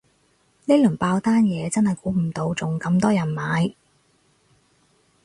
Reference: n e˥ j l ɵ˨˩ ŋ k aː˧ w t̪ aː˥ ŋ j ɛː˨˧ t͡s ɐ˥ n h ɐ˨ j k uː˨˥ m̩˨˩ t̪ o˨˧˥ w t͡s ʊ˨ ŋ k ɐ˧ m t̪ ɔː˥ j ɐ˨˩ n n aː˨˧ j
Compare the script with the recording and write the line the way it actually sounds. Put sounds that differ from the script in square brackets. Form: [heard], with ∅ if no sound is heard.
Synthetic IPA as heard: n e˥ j l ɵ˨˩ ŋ [p] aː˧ w t̪ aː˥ [n] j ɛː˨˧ t͡s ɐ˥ n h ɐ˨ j k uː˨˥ m̩˨˩ t̪ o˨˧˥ w t͡s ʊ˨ ŋ k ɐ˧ m t̪ ɔː˥ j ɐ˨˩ n [m] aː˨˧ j